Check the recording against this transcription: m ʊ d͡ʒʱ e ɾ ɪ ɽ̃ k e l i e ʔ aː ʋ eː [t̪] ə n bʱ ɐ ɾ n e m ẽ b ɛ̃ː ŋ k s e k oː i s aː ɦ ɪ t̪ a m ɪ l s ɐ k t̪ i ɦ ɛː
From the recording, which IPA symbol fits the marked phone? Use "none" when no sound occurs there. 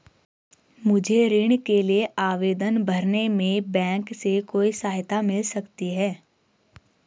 d̪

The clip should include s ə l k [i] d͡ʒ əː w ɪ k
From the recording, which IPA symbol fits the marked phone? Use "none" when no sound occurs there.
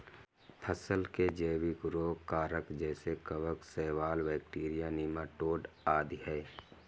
e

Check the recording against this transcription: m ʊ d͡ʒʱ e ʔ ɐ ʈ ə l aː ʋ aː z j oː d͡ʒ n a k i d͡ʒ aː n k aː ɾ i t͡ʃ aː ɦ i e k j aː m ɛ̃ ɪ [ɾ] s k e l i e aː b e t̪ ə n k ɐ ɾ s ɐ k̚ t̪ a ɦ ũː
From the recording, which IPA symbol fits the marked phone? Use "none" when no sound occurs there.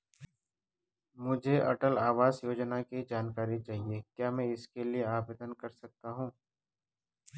none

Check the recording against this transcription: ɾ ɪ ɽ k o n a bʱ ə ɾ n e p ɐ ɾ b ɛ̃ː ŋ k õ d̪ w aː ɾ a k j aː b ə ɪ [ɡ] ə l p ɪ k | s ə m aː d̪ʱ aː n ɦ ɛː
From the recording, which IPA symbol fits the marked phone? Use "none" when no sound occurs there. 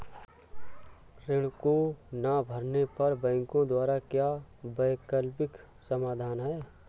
k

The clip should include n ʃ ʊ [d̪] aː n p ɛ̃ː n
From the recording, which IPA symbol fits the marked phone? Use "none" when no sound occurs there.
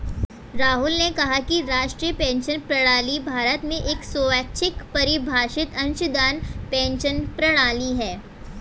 d̪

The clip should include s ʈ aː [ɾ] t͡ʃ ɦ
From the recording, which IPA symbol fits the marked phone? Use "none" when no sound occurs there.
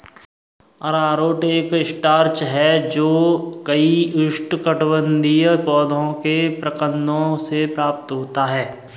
ɾ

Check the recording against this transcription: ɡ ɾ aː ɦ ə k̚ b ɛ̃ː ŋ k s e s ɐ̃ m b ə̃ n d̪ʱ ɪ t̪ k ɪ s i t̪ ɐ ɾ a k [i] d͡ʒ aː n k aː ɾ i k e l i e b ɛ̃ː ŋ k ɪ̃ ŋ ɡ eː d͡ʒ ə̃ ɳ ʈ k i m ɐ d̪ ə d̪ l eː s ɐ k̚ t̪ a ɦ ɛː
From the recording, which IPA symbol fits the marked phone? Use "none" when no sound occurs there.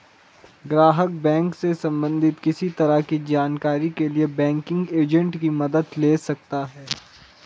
i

